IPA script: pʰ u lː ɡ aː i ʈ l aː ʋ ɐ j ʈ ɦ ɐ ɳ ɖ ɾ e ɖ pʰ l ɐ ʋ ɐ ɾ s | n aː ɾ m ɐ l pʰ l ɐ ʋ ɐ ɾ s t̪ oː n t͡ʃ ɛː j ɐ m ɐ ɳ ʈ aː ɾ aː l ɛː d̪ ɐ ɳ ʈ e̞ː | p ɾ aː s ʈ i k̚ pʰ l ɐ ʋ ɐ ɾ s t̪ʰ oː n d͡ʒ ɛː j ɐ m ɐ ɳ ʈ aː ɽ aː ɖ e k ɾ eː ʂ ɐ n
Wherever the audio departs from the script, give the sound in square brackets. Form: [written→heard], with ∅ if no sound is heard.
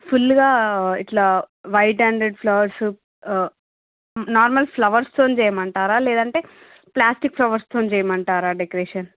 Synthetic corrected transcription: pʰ u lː ɡ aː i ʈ l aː ʋ ɐ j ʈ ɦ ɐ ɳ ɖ ɾ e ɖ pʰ l ɐ ʋ ɐ ɾ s | n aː ɾ m ɐ l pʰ l ɐ ʋ ɐ ɾ s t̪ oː n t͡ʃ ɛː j ɐ m ɐ ɳ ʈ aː ɾ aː l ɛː d̪ ɐ ɳ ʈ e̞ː | p [ɾ→l] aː s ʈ i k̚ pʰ l ɐ ʋ ɐ ɾ s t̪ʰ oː n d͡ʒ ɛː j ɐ m ɐ ɳ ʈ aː [ɽ→ɾ] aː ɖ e k ɾ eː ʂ ɐ n